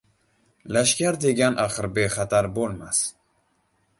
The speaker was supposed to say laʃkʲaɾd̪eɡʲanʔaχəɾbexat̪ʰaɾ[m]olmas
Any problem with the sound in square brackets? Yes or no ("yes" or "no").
yes